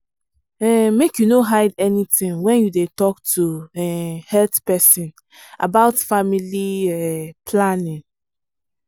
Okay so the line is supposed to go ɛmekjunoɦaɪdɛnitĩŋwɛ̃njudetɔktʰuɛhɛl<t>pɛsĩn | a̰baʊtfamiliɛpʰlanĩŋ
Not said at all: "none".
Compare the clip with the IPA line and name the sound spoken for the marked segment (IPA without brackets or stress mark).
t